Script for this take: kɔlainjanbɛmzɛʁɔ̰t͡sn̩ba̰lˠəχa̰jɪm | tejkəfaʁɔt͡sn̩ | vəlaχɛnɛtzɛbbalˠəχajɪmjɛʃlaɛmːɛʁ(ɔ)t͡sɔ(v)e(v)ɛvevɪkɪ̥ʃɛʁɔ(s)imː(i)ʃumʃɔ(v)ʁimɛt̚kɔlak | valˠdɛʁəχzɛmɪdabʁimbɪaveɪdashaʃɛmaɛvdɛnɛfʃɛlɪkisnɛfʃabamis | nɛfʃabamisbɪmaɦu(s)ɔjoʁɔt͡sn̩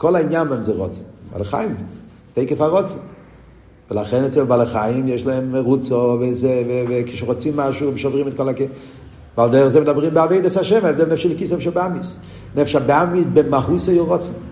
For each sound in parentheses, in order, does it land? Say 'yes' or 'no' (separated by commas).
no, yes, no, no, no, yes, yes